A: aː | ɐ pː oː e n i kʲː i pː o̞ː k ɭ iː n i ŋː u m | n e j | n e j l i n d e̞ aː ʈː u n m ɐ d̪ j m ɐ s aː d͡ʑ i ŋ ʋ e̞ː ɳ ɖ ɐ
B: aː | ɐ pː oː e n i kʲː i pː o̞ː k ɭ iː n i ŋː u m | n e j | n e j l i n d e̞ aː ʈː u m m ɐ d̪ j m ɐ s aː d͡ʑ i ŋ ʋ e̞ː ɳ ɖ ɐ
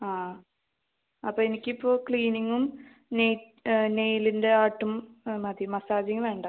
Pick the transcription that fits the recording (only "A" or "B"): B